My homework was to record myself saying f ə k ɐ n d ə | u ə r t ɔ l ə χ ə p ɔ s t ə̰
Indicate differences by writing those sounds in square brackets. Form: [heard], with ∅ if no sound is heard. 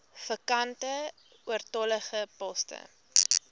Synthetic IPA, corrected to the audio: f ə k ɐ n [t] ə | u ə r t ɔ l ə χ ə p ɔ s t ə̰